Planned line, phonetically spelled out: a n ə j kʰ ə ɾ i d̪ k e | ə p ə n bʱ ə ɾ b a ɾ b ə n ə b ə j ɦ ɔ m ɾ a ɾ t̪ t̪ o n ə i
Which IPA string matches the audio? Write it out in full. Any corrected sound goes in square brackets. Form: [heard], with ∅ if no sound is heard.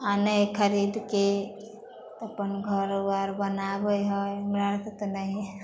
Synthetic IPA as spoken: a n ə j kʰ ə ɾ i d̪ k e | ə p ə n [ɡʱ] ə ɾ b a ɾ b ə n [a] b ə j ɦ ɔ m ɾ a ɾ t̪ t̪ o n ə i